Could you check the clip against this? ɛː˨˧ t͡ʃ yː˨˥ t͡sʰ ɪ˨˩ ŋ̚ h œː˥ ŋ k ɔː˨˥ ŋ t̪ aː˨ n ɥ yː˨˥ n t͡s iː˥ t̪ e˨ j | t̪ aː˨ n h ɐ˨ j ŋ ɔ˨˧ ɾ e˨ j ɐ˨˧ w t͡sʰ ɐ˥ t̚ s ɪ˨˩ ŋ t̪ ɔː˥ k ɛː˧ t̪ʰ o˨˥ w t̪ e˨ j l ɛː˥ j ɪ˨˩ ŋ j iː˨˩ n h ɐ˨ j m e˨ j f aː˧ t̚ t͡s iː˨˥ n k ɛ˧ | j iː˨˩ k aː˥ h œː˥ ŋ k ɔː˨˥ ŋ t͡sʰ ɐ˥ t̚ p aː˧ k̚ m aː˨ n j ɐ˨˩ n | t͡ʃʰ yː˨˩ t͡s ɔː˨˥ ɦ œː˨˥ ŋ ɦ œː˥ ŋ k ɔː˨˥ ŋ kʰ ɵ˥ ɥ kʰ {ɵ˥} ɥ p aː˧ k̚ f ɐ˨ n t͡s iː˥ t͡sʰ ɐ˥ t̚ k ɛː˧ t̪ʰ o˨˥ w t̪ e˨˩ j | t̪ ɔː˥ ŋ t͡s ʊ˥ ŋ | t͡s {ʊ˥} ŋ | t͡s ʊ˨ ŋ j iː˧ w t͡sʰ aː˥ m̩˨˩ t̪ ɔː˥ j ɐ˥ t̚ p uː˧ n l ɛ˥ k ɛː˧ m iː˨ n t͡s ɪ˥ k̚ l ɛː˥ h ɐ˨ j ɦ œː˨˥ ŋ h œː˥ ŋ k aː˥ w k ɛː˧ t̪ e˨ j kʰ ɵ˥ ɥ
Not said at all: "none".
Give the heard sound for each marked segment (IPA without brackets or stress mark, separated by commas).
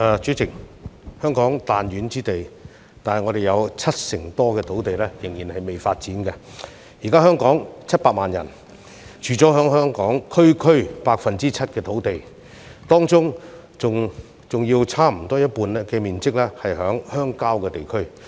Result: ɵ˥, ʊ˨